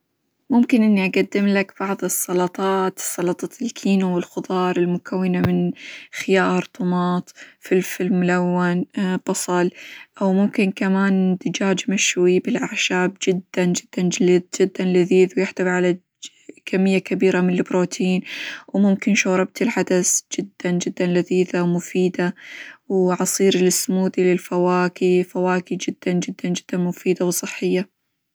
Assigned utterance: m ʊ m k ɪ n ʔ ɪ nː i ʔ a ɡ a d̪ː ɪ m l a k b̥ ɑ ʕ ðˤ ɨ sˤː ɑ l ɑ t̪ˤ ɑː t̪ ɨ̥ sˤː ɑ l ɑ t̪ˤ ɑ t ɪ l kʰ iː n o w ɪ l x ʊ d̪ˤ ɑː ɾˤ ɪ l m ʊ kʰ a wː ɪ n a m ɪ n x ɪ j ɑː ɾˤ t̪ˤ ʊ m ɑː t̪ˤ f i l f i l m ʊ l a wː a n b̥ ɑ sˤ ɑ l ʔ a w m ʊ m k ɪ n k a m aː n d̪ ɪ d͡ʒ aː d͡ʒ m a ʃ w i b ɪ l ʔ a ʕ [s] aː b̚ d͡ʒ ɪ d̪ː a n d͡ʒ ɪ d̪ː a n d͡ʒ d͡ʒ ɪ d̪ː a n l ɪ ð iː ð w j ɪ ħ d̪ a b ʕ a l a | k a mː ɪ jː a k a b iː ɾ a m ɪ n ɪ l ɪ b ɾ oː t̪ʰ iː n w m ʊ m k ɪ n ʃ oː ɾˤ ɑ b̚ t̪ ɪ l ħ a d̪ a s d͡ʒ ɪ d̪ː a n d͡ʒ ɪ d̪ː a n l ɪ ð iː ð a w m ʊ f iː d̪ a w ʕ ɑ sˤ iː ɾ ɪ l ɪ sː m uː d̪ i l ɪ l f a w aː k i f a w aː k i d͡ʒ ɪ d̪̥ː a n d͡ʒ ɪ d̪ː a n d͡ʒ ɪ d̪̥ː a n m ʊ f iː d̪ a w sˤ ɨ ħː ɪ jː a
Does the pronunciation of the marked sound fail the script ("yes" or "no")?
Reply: yes